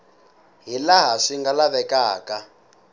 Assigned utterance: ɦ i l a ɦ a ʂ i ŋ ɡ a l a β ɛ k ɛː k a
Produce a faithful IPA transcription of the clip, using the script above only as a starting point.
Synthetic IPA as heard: ɦ i l a ɦ a ʂ i ŋ ɡ a l a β ɛ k aː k a